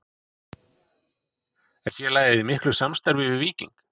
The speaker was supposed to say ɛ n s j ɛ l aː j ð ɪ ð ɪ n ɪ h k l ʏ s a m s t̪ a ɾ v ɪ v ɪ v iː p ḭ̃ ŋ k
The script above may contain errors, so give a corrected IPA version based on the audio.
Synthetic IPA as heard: ɛ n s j ɛ l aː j ð ɪ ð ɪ m ɪ h k l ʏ s a m s t̪ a ɾ v ɪ v ɪ v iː c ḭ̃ ŋ k